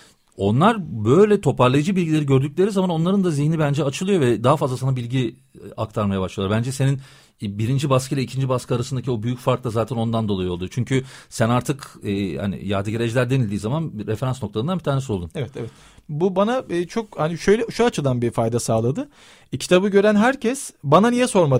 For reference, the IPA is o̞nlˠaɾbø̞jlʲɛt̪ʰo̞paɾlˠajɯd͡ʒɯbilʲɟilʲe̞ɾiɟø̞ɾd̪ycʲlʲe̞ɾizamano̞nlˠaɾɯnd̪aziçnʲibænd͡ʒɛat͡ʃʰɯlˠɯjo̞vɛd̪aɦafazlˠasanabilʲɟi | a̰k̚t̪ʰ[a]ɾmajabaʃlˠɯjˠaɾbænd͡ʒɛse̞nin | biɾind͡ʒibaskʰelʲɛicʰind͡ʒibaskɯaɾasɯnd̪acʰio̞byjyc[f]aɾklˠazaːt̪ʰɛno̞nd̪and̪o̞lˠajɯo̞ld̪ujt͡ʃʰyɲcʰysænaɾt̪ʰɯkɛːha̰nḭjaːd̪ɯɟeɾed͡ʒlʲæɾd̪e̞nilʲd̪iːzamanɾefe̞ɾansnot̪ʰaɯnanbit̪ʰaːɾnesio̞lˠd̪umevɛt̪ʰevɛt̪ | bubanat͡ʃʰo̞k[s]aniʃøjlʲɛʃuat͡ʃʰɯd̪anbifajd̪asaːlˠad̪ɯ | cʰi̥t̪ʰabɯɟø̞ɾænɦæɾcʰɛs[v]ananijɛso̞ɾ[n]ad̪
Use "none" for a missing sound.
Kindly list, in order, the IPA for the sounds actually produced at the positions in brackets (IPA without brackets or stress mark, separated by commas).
a, f, h, b, m